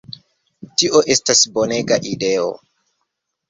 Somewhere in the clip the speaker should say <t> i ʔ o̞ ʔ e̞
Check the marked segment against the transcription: correct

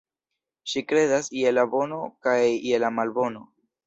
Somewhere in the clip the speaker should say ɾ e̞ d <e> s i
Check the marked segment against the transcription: incorrect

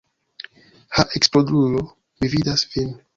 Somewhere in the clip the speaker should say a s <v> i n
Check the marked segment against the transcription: correct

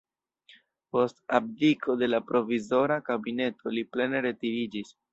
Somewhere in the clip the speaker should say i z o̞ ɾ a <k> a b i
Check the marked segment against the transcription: correct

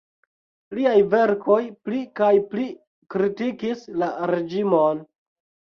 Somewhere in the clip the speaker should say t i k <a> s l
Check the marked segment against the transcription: incorrect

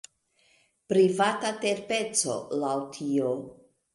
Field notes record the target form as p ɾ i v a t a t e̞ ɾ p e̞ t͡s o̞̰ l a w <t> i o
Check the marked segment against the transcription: incorrect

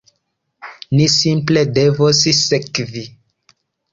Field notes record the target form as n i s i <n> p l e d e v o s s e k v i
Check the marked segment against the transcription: incorrect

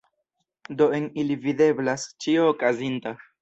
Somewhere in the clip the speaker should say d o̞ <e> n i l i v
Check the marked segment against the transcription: correct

